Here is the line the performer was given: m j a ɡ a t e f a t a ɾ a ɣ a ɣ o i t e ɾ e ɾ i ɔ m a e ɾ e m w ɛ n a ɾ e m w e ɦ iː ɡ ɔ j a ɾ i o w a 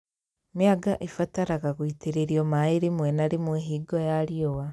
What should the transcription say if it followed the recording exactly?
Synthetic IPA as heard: m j a ɡ a ʔ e f a t a ɾ a ɣ a ɣ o i t e ɾ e ɾ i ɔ m a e ɾ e m w ɛ n a ɾ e m w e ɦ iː ɡ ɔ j a ɾ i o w a